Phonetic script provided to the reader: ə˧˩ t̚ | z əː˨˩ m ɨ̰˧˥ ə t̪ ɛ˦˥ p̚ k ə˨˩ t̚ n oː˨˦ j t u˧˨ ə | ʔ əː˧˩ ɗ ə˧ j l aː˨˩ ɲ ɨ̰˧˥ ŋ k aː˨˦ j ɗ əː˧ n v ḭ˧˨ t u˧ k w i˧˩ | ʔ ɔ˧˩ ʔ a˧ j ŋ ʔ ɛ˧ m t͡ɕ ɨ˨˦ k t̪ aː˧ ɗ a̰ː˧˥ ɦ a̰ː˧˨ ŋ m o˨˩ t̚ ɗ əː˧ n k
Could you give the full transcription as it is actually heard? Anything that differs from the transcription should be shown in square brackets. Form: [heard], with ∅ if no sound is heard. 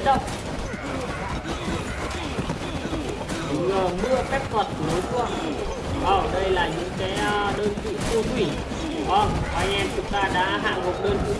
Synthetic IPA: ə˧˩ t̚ | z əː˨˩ m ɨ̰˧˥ ə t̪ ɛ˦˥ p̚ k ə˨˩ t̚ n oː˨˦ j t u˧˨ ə | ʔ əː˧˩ ɗ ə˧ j l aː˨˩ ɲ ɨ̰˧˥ ŋ k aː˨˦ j ɗ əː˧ n v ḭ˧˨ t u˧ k w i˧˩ | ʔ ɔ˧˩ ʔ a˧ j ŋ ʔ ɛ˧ m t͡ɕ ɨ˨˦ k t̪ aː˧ ɗ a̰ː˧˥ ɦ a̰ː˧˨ ŋ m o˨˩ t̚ ɗ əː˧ n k